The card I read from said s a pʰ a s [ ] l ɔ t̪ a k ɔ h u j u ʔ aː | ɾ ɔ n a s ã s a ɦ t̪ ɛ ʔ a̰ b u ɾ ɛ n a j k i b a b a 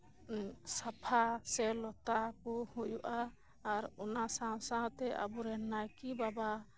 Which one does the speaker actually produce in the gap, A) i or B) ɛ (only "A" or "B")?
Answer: B